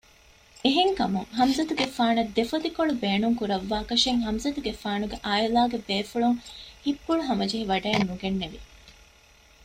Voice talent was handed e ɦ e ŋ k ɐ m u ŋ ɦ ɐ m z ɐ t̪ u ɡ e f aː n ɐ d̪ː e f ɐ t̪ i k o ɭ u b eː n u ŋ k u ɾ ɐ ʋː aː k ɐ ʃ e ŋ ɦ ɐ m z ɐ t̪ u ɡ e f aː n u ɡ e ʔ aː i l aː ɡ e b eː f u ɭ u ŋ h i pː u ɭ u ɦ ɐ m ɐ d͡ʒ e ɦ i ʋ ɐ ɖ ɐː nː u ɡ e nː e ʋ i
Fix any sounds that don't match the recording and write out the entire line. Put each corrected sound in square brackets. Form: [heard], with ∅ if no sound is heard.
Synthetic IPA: e ɦ e ŋ k ɐ m u ŋ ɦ ɐ m z ɐ t̪ u ɡ e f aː n ɐ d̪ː e f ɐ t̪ i k o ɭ u b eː n u ŋ k u ɾ ɐ ʋː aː k ɐ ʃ e ŋ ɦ ɐ m z ɐ t̪ u ɡ e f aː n u ɡ e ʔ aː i l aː ɡ e b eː f u ɭ u ŋ h i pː u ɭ u ɦ ɐ m ɐ d͡ʒ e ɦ i ʋ ɐ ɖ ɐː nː u ɡ e nː e ʋ i